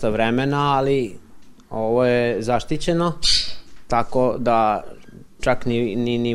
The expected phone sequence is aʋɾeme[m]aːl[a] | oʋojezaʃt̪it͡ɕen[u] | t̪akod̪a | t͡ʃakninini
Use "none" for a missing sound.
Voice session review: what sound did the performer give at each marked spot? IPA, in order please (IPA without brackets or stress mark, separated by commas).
n, i, o